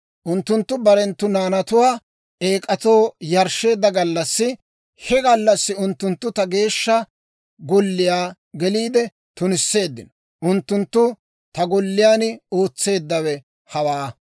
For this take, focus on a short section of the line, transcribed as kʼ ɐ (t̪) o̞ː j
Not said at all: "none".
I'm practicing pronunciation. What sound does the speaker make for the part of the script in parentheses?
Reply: t̪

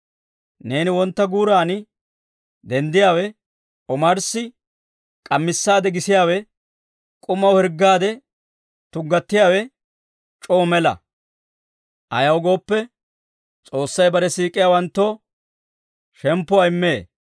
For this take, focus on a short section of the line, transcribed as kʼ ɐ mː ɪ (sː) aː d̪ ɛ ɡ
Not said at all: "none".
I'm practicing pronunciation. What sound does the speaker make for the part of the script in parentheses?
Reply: sː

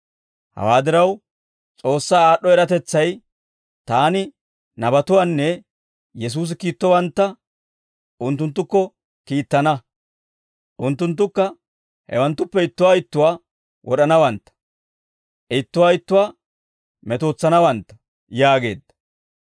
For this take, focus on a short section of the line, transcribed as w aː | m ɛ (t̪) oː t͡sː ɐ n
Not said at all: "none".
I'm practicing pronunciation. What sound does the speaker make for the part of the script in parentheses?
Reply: t̪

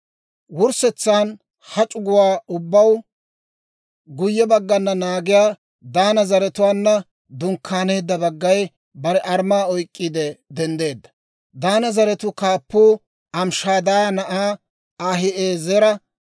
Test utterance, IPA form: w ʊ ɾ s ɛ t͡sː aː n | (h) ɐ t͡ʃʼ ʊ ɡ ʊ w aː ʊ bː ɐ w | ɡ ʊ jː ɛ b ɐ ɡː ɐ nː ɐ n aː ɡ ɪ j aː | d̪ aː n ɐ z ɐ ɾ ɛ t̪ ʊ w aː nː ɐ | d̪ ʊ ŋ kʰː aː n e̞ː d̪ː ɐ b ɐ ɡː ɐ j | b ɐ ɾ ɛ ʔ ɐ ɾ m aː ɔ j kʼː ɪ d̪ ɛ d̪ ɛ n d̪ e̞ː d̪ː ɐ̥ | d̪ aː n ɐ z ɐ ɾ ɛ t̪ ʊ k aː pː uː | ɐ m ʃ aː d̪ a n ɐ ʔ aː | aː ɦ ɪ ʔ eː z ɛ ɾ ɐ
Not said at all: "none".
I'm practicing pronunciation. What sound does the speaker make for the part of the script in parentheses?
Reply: h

